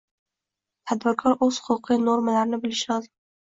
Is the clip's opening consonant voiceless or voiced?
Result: voiceless